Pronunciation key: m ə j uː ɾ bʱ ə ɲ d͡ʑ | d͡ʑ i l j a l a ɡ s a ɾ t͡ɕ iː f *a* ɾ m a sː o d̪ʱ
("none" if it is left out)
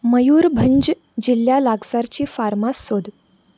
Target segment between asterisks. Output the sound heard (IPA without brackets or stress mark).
a